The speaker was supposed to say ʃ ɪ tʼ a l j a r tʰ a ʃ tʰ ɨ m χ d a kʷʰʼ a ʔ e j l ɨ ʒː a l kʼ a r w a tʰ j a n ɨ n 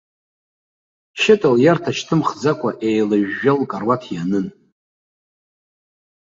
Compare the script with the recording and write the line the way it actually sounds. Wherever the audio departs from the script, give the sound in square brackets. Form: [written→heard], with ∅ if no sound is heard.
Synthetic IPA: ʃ ɪ tʼ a l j a r tʰ a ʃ tʰ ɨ m χ [d→d͡z] a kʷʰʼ a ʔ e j l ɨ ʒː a l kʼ a r w a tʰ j a n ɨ n